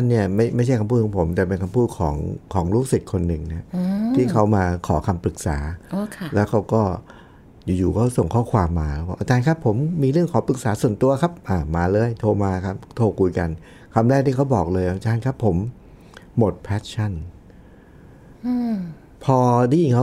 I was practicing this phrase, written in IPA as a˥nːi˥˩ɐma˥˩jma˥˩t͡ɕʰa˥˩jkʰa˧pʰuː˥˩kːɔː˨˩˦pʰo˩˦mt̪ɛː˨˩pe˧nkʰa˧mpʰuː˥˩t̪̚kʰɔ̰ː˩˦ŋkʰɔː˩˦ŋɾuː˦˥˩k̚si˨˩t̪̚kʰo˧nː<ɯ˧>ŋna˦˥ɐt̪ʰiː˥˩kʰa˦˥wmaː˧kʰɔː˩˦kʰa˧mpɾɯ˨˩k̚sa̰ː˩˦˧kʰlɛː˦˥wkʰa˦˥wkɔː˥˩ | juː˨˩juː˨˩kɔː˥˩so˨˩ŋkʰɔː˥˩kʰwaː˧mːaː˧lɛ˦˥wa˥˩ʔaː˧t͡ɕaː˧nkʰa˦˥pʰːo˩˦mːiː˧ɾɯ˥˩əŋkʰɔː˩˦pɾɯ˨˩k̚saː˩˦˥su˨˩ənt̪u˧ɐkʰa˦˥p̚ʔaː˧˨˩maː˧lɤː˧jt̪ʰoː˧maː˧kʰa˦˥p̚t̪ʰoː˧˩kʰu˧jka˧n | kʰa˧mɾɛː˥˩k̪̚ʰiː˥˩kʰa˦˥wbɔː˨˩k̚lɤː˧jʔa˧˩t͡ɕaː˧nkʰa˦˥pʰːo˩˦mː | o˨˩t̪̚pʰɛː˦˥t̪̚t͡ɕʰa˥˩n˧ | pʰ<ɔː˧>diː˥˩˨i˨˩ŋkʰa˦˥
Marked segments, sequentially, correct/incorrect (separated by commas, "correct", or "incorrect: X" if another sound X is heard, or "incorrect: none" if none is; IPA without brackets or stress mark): incorrect: ɯ˨˩, correct